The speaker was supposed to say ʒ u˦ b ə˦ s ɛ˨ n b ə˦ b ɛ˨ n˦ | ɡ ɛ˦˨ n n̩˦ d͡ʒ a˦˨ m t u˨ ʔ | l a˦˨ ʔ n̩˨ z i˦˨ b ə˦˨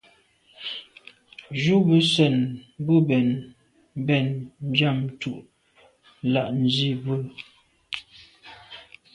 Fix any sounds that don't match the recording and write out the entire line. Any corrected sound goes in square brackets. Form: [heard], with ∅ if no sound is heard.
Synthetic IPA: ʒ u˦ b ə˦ s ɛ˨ n b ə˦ b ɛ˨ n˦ | [b] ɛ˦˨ n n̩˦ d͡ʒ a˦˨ m t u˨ ʔ | l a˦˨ ʔ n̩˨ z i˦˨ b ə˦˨